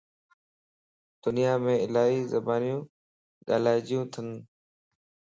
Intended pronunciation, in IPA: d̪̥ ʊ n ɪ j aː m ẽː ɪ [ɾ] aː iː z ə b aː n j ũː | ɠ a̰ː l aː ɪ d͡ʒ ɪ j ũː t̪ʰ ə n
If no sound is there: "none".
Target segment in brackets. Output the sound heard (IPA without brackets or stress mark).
l